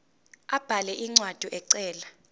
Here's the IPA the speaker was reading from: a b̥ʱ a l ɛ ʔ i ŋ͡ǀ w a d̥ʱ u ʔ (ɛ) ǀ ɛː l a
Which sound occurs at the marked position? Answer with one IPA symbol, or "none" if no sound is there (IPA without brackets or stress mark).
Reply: ɛ